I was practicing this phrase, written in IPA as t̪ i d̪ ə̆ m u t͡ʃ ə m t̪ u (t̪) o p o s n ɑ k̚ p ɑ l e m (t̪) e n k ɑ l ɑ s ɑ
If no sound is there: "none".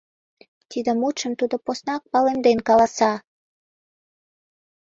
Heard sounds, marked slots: d̪, d̪

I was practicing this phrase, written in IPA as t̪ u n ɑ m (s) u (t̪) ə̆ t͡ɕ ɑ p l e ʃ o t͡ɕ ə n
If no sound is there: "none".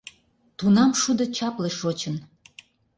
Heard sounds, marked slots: ʃ, d̪

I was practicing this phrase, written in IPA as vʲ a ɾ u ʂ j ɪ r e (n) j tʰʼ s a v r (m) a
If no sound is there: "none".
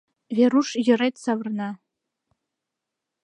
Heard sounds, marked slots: none, n

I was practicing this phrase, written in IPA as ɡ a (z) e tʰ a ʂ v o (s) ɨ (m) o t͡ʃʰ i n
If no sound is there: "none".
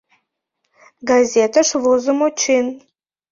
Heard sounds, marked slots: z, z, m

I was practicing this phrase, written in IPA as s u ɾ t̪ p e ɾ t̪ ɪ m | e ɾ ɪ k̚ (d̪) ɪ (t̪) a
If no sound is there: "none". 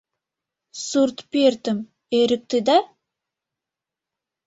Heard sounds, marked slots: t̪, d̪

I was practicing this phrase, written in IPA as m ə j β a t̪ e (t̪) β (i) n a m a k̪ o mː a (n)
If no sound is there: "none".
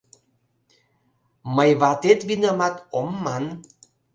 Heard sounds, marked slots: t̪, i, n

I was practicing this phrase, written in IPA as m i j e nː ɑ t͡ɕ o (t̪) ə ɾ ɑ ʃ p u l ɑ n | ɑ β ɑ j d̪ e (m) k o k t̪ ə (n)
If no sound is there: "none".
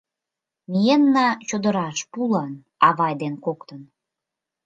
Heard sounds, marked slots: d̪, n, n

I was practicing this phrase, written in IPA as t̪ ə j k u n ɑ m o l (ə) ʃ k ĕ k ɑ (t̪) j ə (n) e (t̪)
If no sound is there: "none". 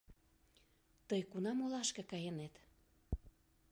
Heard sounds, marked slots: ɑ, none, n, t̪

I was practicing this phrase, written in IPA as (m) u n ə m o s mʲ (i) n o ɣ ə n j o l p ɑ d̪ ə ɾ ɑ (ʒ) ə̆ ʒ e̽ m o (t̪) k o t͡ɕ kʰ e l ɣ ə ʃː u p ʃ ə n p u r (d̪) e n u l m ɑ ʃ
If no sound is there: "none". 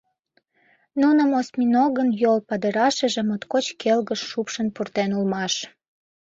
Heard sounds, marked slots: n, i, ʃ, t̪, t̪

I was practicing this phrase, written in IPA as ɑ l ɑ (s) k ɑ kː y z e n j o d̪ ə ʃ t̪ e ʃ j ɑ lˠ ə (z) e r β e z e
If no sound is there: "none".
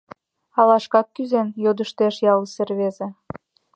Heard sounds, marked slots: ʃ, s

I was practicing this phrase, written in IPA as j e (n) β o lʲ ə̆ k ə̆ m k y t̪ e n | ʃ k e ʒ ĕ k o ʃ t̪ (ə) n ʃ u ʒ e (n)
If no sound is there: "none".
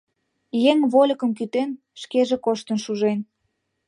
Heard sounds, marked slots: ŋ, ə, n

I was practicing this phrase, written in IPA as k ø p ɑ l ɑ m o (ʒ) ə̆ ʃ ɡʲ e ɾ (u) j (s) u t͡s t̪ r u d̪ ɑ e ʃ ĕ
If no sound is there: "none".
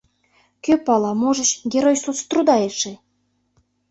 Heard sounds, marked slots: ʒ, o, s

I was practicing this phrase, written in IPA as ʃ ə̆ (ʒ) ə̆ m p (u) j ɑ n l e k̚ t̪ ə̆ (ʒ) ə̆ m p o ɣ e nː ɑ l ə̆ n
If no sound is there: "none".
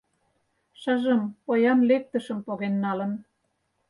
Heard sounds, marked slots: ʒ, o, ʃ

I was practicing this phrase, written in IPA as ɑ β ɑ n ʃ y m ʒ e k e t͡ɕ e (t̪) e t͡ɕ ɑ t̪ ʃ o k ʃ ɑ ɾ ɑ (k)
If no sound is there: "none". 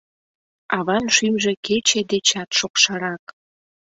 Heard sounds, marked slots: d̪, k

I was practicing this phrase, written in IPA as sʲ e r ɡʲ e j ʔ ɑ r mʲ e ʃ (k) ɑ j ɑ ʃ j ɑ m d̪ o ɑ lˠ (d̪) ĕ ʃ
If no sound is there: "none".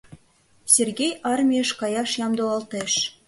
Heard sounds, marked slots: k, t̪

